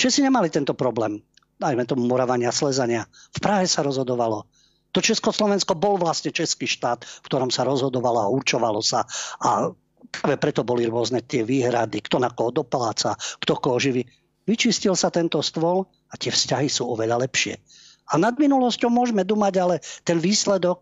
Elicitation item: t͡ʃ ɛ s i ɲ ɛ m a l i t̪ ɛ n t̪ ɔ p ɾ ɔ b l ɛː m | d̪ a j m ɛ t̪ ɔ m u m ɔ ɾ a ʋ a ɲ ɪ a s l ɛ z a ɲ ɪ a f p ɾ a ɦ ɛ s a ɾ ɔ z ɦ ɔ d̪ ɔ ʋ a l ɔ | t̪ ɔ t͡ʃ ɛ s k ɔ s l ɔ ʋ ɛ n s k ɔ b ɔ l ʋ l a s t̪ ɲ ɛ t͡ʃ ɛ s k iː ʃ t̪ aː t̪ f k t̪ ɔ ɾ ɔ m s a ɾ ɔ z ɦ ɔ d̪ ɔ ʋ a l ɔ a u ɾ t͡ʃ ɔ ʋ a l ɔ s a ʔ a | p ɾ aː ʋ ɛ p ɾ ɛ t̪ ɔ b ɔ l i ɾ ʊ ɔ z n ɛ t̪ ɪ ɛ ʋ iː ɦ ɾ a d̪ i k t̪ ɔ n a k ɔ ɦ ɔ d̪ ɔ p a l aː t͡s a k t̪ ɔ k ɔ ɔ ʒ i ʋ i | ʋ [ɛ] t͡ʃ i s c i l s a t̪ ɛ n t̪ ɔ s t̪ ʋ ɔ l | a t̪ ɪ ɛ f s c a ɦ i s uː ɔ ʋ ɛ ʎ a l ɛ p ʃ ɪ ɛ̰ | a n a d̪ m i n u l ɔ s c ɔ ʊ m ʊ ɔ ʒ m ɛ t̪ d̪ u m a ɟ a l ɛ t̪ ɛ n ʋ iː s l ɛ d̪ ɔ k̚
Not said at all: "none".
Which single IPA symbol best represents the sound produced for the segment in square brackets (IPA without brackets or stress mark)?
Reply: i